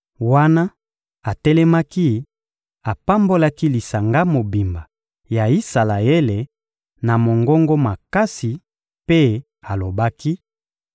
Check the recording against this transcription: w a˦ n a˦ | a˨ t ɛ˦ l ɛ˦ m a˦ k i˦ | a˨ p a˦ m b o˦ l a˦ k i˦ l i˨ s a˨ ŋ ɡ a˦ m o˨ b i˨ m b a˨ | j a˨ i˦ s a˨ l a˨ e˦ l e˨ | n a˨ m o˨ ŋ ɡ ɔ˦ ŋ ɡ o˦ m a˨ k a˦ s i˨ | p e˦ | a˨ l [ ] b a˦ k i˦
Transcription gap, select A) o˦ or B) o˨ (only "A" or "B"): B